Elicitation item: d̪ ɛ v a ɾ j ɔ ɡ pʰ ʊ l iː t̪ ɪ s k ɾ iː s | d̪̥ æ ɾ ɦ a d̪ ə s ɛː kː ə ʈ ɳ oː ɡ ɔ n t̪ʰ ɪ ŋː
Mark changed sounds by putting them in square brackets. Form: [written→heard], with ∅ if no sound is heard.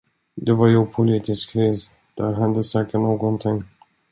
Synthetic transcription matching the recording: d̪ ɛ v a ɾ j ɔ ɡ pʰ ʊ l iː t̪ ɪ s k ɾ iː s | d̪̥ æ ɾ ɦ a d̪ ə s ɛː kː ə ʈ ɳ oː ɡ ɔ n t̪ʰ ɪ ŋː